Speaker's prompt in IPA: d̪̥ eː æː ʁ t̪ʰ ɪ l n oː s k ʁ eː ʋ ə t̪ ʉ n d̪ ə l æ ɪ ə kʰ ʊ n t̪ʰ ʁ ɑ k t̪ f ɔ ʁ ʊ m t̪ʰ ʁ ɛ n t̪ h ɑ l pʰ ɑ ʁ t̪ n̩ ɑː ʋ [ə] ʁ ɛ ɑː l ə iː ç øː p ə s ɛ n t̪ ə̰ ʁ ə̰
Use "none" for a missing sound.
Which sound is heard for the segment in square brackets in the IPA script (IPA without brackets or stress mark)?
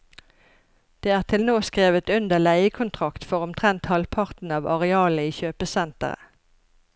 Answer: ɑ